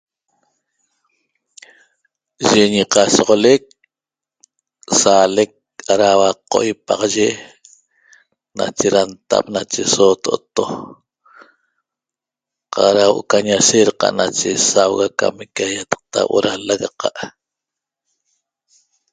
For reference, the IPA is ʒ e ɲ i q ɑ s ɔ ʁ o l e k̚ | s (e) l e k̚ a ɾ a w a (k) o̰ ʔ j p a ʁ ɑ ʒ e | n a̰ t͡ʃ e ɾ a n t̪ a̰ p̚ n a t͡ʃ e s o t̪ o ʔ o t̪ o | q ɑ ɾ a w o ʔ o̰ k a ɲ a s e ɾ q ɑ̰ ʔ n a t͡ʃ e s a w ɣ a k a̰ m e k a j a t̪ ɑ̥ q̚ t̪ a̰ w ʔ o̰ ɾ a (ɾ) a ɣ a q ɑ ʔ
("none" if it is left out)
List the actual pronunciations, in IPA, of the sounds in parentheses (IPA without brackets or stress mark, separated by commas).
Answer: a, q, l